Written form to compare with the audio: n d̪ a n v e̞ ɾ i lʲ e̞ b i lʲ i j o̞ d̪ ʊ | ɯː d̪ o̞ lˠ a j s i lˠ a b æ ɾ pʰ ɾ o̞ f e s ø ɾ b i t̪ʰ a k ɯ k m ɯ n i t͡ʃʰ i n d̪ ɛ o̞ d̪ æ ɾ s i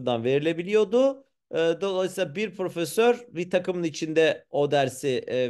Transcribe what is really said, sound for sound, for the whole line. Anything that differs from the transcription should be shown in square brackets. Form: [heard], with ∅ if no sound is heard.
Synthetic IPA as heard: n d̪ a n v e̞ ɾ i lʲ e̞ b i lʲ i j o̞ d̪ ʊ | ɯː d̪ o̞ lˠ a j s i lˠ a b [i] ɾ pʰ ɾ o̞ f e s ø ɾ b i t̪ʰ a k ɯ [∅] m ɯ n i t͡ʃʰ i n d̪ ɛ o̞ d̪ æ ɾ s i